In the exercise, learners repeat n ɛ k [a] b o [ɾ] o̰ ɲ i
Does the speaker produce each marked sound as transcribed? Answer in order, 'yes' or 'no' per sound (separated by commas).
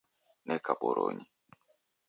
yes, yes